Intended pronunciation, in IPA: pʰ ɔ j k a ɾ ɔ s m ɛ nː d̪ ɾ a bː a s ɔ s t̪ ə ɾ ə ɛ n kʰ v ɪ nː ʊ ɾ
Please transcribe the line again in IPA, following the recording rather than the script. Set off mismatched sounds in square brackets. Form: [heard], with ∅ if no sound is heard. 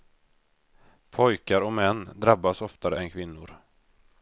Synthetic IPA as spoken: pʰ ɔ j k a ɾ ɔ [∅] m ɛ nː d̪ ɾ a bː a s ɔ [f] t̪ [a] ɾ ə ɛ n kʰ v ɪ nː ʊ ɾ